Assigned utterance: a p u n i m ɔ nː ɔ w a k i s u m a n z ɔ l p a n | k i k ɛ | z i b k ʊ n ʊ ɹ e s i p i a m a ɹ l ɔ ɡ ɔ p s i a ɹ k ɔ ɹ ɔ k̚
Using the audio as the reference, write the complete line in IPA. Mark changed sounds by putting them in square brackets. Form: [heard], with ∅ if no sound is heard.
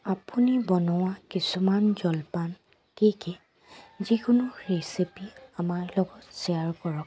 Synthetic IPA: a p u n i [b] ɔ [n] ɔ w a k i s u m a n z ɔ l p a n | k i k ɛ | z i [∅] k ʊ n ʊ ɹ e s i p i a m a ɹ l ɔ ɡ ɔ [t] s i a ɹ k ɔ ɹ ɔ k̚